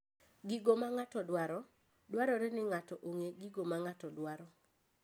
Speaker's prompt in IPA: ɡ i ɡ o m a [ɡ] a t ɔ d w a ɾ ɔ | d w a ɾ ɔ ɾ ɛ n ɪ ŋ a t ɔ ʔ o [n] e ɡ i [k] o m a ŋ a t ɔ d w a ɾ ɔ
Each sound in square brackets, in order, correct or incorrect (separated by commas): incorrect, incorrect, incorrect